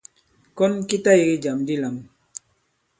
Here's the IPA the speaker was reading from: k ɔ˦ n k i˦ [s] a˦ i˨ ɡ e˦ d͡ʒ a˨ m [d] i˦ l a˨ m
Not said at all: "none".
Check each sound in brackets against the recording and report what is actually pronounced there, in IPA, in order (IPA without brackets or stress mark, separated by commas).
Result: t, d